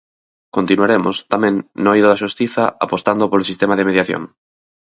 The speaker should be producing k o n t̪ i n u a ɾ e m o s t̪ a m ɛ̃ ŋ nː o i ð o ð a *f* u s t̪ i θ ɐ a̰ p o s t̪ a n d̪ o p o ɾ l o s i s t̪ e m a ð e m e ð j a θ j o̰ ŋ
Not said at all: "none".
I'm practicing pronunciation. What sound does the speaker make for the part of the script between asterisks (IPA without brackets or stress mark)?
ʃ